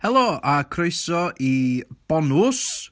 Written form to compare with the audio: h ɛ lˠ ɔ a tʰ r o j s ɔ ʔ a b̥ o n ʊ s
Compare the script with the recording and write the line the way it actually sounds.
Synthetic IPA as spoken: h ɛ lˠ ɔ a kʰ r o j s ɔ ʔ i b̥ ɔ n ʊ s